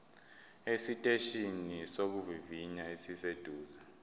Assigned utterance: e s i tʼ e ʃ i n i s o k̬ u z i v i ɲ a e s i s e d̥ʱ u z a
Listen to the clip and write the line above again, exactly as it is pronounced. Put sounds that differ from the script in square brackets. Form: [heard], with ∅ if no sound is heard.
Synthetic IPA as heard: e s i tʼ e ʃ i n i s o k̬ u [v] i v i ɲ a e s i s e d̥ʱ [uː] z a